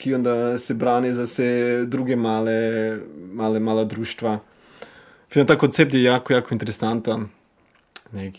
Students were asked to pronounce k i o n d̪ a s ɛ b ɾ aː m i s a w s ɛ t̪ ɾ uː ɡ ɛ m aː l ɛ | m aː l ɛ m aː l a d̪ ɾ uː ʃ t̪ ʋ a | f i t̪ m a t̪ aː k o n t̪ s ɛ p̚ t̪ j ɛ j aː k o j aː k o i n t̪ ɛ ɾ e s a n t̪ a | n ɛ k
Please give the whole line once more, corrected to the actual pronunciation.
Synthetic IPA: k i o n d̪ a s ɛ b ɾ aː n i z a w s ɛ d̪ ɾ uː ɡ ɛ m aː l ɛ | m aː l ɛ m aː l a d̪ ɾ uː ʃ t̪ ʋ a | f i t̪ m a t̪ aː k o n t̪ s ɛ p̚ t̪ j ɛ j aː k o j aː k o i n t̪ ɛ ɾ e s a n t̪ a | n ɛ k